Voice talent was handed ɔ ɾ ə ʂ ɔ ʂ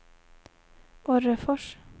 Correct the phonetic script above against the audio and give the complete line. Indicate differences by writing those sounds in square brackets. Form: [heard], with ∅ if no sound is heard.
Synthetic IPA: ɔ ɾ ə [f] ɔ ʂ